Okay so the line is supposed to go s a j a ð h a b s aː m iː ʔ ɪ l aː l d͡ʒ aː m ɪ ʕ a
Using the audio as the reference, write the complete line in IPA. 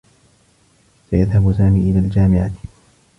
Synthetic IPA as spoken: s a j a ð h a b s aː m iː ʔ ɪ l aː l d͡ʒ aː m ɪ ʕ a

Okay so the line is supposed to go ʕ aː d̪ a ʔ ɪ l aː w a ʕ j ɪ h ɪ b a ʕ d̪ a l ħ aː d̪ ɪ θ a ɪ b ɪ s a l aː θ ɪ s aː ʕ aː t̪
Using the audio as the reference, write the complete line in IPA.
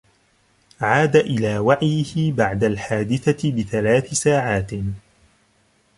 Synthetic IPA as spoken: ʕ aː d̪ a ʔ ɪ l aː w a ʕ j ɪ h ɪ b a ʕ d̪ a l ħ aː d̪ ɪ θ a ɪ b ɪ θ a l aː θ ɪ s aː ʕ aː t̪

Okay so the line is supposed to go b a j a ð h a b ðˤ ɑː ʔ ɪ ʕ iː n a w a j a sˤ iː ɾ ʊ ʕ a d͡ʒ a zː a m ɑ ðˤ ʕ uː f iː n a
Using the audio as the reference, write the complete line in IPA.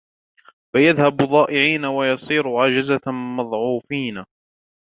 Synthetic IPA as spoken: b a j a ð h a b ðˤ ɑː ʔ ɪ ʕ iː n a w a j ɑ sˤ iː ɾ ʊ ʕ a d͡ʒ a z a m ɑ ðˤ ʕ uː f iː n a

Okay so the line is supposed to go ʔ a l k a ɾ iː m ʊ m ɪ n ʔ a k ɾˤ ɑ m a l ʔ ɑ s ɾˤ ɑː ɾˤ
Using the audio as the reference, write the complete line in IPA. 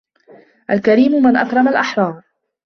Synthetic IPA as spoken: ʔ a l k a ɾ iː m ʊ m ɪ n ʔ a k ɾˤ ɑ m a l ʔ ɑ ħ ɾˤ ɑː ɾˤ

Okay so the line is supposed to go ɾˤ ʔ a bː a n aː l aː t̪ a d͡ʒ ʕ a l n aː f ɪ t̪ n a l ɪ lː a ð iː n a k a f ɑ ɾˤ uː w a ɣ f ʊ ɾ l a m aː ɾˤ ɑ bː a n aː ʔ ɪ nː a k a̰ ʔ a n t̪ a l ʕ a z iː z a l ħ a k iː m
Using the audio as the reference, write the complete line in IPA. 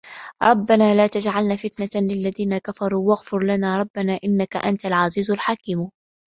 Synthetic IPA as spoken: ɾˤ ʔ ɑ bː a n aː l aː t̪ a d͡ʒ ʕ a l n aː f ɪ t̪ n a l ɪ lː a ð iː n a k a f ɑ ɾˤ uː w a ɣ f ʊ ɾ l a n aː ɾˤ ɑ bː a n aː ʔ ɪ nː a k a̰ ʔ a n t̪ a l ʕ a z iː z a l ħ a k iː m

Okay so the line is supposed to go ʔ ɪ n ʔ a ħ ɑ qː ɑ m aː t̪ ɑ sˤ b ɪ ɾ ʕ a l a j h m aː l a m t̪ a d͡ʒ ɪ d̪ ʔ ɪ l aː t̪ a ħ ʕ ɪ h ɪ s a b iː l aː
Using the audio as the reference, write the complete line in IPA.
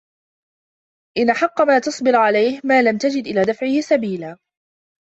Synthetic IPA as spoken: ʔ ɪ n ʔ a ħ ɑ qː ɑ m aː t̪ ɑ sˤ b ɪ ɾ ʕ a l a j h m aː l a m t̪ a d͡ʒ ɪ d̪ ʔ ɪ l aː d̪ a f ʕ ɪ h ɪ s a b iː l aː

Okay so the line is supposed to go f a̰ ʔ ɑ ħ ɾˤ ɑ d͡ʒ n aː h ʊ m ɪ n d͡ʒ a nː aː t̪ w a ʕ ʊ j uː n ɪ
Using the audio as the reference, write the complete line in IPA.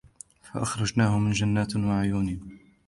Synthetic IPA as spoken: f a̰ ʔ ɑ x ɾˤ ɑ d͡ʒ n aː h ʊ m ɪ n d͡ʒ a nː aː t̪ w a ʕ ʊ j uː n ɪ

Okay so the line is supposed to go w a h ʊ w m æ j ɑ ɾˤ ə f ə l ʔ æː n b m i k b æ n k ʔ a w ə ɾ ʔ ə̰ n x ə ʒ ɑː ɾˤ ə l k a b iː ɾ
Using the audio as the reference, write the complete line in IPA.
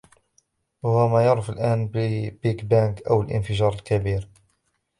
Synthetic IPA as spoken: w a h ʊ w m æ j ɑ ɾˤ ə f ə l ʔ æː n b b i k b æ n k ʔ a w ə l ʔ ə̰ n f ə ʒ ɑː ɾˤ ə l k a b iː ɾ

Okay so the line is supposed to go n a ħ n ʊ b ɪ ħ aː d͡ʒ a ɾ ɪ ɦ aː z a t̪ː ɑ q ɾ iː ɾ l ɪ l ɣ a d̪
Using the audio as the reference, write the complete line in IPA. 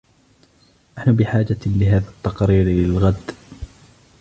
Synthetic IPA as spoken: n a ħ n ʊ b ɪ ħ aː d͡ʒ a l ɪ ɦ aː ð a t̪ː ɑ q ɾ iː ɾ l ɪ l ɣ a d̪

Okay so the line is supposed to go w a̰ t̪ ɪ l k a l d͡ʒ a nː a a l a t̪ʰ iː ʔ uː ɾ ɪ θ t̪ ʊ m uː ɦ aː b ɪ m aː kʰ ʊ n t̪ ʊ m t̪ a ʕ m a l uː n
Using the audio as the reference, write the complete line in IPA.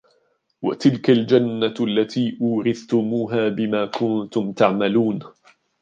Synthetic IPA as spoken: w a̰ t̪ ɪ l k a l d͡ʒ a nː a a lː a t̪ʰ iː ʔ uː ɾ ɪ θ t̪ ʊ m uː ɦ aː b ɪ m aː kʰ ʊ n t̪ ʊ m t̪ a ʕ m a l uː n

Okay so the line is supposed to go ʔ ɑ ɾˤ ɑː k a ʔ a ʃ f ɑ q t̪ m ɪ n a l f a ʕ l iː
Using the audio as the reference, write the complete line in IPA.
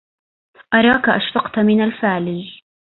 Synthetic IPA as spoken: ʔ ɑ ɾˤ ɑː k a ʔ a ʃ f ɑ q t̪ m ɪ n a l f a ʕ l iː

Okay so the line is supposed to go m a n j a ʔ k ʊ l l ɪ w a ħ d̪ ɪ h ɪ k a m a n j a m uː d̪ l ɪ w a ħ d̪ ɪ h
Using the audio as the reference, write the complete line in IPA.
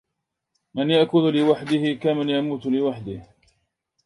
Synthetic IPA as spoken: m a n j a ʔ k ʊ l l ɪ w a ħ d̪ ɪ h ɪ k a m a n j a m uː t̪ l ɪ w a ħ d̪ ɪ h

